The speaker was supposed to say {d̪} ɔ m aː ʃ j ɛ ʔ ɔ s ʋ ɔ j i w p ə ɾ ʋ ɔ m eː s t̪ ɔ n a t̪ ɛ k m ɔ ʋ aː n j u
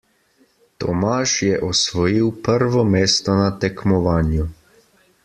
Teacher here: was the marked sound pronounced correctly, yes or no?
no